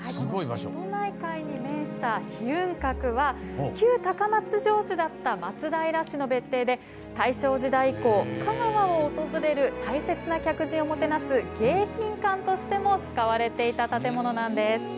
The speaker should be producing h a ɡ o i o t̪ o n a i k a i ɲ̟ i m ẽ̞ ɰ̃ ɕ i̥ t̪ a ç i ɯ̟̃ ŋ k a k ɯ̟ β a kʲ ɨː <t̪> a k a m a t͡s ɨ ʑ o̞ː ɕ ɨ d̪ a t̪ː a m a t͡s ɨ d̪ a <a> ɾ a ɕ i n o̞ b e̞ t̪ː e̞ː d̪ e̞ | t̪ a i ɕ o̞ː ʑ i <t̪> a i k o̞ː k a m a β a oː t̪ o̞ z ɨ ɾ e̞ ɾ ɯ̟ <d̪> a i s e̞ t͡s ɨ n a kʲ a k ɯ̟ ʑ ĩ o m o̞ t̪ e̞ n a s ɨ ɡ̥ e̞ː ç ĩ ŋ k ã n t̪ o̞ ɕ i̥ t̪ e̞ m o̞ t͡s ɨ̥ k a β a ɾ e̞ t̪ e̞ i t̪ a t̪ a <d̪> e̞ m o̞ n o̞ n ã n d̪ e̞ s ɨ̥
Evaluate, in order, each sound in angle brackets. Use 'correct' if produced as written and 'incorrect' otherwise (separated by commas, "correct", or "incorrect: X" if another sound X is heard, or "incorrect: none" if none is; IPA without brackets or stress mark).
correct, incorrect: i, incorrect: d̪, incorrect: t̪, incorrect: t̪